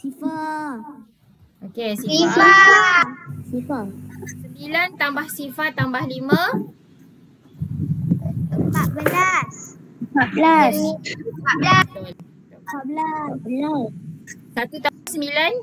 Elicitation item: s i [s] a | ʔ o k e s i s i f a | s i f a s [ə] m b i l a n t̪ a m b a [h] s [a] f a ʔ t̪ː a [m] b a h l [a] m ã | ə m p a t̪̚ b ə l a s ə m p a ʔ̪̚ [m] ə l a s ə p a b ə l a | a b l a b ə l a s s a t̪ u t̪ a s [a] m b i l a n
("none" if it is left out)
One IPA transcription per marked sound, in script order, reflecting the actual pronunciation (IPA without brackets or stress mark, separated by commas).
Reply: f, ə, h, i, m, i, b, ə